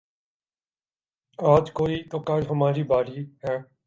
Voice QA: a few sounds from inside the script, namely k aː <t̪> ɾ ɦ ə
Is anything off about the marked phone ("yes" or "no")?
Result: yes